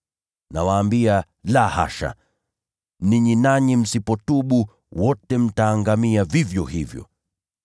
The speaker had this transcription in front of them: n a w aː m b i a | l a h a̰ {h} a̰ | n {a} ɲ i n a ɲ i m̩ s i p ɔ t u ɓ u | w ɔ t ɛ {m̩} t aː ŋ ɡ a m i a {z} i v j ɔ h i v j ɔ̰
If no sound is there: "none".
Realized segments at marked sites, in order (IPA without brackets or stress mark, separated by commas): ʃ, i, m̩, v